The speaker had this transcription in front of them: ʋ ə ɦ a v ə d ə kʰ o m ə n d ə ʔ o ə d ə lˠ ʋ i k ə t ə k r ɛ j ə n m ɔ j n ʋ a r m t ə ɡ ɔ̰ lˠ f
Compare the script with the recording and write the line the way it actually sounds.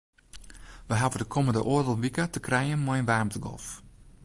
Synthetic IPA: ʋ ə ɦ a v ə d ə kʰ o m ə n d ə ʔ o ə d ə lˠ ʋ i k ə t ə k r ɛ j ə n m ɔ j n ʋ a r m t ə ɡ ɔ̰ lˠ f